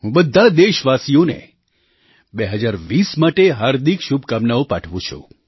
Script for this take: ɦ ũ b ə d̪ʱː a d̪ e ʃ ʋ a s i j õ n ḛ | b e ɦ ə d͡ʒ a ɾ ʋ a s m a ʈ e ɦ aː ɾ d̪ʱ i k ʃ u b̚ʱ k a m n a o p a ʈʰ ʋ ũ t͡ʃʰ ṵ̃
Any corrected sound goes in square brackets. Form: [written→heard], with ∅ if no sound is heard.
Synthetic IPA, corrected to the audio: ɦ ũ b ə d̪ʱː a d̪ e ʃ ʋ a s i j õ n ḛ | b e ɦ ə d͡ʒ a ɾ ʋ [a→i] s m a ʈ e ɦ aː ɾ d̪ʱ i k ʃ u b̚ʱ k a m n a o p a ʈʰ ʋ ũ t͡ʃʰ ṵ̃